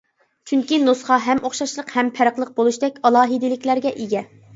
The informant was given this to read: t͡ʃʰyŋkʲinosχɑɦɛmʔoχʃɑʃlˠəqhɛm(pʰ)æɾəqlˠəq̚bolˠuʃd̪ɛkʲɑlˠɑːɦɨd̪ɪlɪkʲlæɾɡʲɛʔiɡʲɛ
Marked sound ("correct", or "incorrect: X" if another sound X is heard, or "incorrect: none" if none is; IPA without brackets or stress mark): correct